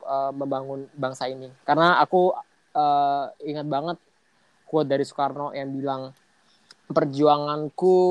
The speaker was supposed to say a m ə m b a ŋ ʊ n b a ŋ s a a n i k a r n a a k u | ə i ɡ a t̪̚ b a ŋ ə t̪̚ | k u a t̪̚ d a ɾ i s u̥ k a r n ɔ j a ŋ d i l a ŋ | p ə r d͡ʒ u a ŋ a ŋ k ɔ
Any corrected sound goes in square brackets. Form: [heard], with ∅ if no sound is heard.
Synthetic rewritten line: [ə] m ə m b a ŋ ʊ n b a ŋ s a [i] n i k a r n a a k u | ə i [ŋ] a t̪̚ b a ŋ ə t̪̚ | k u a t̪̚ d a ɾ i s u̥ k a r n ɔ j a ŋ [b] i l a ŋ | p ə r d͡ʒ u a ŋ a [n] k [u]